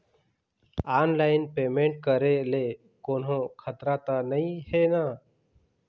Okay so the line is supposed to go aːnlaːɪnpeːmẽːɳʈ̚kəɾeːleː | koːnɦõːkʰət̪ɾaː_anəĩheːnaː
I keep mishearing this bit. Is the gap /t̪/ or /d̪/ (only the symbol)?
t̪